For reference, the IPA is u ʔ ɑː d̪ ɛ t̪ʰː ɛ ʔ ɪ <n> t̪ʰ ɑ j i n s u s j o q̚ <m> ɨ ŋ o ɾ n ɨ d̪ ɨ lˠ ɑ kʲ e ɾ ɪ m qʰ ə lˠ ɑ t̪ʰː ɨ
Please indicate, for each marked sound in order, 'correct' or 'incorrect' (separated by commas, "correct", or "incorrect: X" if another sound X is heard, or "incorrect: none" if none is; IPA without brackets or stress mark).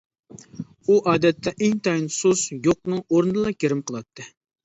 incorrect: ŋ, incorrect: n